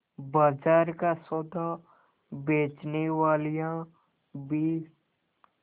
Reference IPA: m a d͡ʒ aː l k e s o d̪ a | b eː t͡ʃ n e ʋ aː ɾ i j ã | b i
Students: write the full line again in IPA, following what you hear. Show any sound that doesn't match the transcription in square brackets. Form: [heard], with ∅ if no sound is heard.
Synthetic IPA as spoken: [b] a d͡ʒ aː [ɾ] k [a] s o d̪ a | b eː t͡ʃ n e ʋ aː [l] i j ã | b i